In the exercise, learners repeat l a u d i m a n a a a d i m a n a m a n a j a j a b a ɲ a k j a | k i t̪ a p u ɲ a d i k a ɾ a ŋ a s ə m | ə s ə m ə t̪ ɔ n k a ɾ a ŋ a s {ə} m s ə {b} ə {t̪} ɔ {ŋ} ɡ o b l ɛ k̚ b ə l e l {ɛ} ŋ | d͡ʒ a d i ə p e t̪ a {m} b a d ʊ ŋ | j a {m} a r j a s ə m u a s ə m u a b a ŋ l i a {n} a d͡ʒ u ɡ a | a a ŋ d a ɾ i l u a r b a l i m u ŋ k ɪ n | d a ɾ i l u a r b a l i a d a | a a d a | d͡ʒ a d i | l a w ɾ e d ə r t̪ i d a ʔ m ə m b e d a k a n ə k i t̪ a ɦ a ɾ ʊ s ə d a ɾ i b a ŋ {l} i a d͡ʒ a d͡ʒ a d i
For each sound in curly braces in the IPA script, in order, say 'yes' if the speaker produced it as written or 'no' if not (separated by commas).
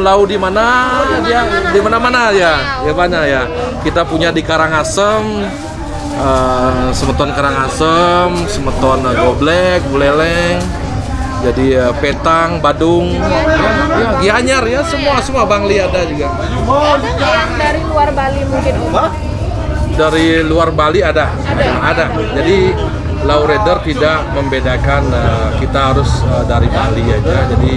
yes, no, yes, no, yes, no, no, no, yes